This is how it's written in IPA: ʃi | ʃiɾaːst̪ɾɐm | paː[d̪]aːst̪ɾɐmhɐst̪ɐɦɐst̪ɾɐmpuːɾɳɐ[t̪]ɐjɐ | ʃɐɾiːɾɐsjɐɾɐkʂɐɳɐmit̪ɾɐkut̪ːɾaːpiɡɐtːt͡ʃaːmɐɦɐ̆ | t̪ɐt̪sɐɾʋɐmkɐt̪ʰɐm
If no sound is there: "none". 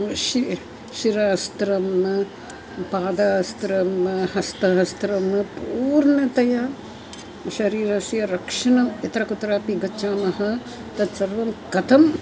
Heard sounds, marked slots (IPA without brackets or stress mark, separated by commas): d̪, t̪